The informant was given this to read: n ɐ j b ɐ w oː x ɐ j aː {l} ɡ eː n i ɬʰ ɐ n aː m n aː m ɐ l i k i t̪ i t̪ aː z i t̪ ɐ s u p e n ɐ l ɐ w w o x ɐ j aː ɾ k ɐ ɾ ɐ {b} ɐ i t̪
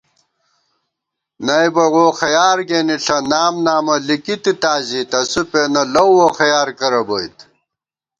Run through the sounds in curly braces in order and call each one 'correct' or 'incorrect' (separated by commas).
incorrect, correct